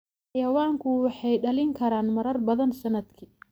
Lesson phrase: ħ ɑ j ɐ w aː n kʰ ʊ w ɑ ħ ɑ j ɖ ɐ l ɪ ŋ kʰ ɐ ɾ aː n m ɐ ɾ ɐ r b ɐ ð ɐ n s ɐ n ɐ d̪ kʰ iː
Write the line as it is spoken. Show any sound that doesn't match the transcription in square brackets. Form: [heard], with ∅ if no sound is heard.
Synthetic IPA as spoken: ħ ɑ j ɐ w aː [ŋ] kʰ ʊ w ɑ ħ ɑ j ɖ ɐ l ɪ ŋ kʰ ɐ ɾ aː n m ɐ ɾ ɐ r b ɐ ð ɐ n s ɐ n ɐ d̪ kʰ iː

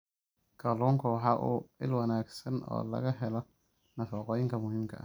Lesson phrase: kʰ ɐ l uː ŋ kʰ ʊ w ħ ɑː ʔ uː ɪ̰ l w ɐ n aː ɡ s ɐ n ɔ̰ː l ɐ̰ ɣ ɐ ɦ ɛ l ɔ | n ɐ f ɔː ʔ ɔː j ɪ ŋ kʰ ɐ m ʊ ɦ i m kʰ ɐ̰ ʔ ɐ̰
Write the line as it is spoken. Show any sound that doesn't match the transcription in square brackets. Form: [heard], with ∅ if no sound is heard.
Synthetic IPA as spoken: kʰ ɐ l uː ŋ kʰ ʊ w ħ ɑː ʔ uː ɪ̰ l w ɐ n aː ɡ s ɐ n ɔ̰ː l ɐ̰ ɣ ɐ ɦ ɛ l ɔ | n ɐ f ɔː [q] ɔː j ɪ ŋ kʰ ɐ m ʊ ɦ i m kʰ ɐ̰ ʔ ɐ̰

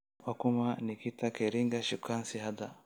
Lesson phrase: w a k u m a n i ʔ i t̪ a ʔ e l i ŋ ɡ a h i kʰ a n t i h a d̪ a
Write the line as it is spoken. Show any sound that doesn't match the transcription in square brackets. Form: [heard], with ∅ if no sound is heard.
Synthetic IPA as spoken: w a k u m a n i [k] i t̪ a [k] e [ɾ] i ŋ ɡ a [ʃ] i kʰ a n [s] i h a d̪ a

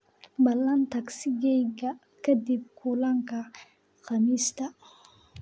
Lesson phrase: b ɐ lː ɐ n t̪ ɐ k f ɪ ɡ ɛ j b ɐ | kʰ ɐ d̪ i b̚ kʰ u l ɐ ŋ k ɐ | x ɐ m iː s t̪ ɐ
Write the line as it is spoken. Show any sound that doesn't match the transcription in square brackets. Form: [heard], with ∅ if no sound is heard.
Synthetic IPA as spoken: b ɐ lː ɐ n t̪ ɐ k [s] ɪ ɡ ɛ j [ɡ] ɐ | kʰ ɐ d̪ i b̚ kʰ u l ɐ ŋ k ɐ | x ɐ m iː s t̪ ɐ

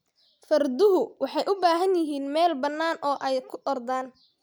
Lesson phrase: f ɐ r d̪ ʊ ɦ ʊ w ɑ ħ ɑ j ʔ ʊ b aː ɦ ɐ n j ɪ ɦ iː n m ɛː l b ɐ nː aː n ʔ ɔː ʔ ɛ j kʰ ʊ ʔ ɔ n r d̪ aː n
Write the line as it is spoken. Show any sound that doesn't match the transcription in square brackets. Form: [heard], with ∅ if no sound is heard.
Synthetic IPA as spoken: f ɐ r d̪ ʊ ɦ ʊ w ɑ ħ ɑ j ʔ ʊ b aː ɦ ɐ n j ɪ ɦ iː n m ɛː l b ɐ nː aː n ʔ ɔː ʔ ɛ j kʰ ʊ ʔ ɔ [∅] r d̪ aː n

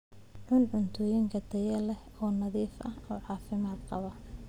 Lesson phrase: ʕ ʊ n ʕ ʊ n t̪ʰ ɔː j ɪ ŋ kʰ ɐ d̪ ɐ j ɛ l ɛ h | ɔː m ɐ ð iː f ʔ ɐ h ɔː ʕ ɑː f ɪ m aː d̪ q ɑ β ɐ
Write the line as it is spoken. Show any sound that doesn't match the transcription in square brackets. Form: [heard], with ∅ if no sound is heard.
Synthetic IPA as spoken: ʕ ʊ n ʕ ʊ n t̪ʰ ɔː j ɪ ŋ kʰ ɐ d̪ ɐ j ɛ l ɛ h | ɔː [n] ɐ ð iː f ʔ ɐ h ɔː ʕ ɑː f ɪ m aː d̪ q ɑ β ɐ

